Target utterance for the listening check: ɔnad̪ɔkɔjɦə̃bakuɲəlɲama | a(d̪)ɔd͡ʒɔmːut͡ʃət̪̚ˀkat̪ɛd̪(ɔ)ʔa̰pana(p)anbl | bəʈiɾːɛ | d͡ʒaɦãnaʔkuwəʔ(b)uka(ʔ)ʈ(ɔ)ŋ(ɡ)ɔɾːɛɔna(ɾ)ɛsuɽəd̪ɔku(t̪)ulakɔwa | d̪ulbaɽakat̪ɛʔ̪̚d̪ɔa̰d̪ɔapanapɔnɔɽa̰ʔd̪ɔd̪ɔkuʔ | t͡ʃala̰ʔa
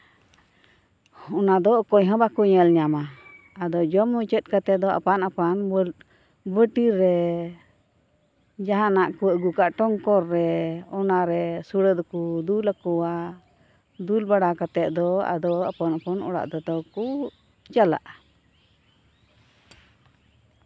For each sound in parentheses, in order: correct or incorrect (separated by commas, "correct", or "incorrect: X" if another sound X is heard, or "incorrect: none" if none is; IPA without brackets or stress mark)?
correct, correct, correct, incorrect: ɡ, correct, correct, incorrect: k, correct, incorrect: d̪